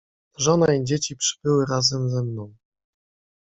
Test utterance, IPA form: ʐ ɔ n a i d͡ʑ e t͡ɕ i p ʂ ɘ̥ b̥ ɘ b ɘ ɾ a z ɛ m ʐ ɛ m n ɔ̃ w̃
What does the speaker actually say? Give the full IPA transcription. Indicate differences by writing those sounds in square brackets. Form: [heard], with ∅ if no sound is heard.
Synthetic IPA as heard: ʐ ɔ n a i d͡ʑ e t͡ɕ i p ʂ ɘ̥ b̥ ɘ [w] ɘ ɾ a z ɛ m [z] ɛ m n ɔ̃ w̃